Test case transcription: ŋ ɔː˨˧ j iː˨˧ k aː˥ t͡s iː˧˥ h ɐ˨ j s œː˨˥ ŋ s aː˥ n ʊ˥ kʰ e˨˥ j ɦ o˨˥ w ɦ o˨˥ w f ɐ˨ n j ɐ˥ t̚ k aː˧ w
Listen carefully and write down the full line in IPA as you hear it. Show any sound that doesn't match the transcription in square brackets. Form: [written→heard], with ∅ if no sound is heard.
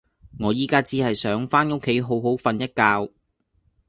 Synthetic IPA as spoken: ŋ ɔː˨˧ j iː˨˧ k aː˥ t͡s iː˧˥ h ɐ˨ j s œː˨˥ ŋ [s→f] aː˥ n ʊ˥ kʰ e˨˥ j ɦ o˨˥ w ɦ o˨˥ w f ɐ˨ n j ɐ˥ t̚ k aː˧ w